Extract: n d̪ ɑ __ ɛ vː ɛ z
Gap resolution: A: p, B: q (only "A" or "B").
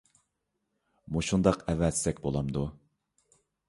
B